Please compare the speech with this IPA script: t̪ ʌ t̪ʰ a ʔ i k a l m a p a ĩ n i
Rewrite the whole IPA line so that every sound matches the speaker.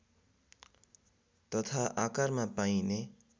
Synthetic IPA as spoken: t̪ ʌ t̪ʰ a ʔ a k a ɾ m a p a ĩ n e